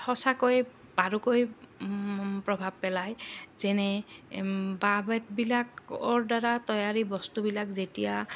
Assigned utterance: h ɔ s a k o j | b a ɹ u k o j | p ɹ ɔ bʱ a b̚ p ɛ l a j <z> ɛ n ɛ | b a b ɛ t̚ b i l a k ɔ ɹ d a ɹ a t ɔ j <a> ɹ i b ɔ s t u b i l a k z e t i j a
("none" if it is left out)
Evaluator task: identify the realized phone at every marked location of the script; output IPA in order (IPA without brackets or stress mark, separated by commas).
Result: z, a